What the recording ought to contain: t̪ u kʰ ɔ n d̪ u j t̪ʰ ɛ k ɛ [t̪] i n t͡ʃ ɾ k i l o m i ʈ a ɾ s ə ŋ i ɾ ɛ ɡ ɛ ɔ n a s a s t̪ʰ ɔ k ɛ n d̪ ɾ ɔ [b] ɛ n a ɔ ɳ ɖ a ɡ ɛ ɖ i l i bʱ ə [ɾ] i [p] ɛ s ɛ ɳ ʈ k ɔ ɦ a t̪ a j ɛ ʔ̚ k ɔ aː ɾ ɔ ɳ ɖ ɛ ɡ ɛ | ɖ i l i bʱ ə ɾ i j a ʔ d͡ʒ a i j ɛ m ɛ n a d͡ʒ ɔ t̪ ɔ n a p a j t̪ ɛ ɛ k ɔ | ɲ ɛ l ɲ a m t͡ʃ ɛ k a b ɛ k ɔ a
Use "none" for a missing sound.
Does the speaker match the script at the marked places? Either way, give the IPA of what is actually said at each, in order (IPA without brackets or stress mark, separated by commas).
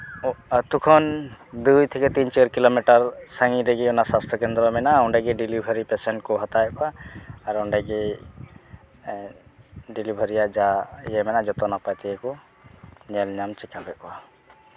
t̪, m, ɾ, p